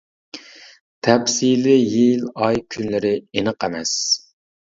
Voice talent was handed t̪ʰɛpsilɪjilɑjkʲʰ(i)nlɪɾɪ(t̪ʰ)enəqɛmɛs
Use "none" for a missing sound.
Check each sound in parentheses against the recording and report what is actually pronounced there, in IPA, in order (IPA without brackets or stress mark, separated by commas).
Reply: y, none